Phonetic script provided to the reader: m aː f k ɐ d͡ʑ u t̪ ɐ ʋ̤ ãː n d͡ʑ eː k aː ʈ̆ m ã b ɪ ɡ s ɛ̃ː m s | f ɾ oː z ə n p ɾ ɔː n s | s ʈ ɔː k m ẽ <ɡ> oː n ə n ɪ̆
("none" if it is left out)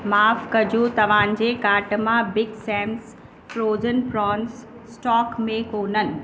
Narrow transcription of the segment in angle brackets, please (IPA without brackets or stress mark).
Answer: k